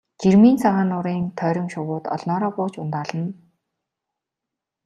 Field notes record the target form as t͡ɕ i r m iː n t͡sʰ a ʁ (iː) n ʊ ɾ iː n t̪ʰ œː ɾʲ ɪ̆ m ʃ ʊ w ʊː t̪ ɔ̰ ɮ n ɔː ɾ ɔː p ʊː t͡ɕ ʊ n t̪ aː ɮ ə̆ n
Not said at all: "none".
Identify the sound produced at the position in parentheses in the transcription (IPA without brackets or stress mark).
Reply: aː